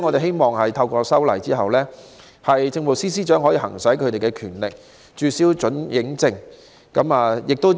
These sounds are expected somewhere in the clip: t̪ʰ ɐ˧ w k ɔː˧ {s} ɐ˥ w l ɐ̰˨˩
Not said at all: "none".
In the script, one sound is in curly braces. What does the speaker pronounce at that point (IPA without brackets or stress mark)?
s